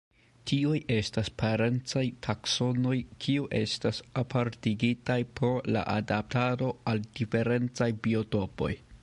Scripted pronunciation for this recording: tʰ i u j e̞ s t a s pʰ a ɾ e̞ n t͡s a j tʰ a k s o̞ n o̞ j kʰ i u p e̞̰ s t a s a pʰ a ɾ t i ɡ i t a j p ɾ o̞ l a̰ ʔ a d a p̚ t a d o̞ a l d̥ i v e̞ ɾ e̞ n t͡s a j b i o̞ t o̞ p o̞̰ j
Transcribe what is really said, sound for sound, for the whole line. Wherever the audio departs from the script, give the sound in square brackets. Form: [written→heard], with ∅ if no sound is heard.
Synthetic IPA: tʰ i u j e̞ s t a s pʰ a ɾ e̞ n t͡s a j tʰ a k s o̞ n o̞ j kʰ i u [p→ʔ] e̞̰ s t a s a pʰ a ɾ t i ɡ i t a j p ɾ o̞ l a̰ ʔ a d a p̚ t a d o̞ a l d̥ i [v→f] e̞ ɾ e̞ n t͡s a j b i o̞ t o̞ p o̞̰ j